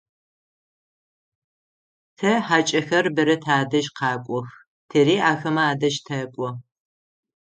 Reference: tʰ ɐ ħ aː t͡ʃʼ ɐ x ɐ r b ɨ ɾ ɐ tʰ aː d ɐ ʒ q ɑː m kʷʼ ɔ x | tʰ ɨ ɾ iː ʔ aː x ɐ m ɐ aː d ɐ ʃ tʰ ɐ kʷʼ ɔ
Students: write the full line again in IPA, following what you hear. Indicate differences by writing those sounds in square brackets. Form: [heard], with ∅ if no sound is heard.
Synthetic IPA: tʰ ɐ ħ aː t͡ʃʼ ɐ x ɐ r b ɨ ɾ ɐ tʰ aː d ɐ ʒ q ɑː [∅] kʷʼ ɔ x | tʰ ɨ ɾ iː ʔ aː x ɐ m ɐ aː d ɐ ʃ tʰ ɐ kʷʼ ɔ